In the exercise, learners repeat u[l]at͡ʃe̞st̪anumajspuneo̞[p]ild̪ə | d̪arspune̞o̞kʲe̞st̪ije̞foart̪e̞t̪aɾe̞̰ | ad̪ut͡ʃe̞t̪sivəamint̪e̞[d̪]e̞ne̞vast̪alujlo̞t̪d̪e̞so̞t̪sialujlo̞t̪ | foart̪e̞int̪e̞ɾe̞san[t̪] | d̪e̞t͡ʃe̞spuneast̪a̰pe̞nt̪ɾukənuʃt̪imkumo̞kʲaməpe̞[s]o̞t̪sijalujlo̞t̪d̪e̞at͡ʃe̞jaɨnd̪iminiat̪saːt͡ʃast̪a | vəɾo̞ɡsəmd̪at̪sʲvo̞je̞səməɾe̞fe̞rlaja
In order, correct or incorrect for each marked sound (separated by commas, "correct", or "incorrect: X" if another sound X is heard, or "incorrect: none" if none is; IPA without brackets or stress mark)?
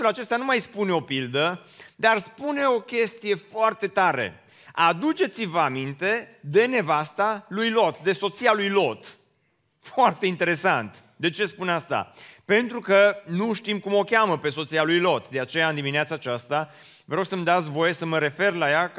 correct, correct, correct, correct, correct